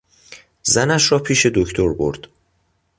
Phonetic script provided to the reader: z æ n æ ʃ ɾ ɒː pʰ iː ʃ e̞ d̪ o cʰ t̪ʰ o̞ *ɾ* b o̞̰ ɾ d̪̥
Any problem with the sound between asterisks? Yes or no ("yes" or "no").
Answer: no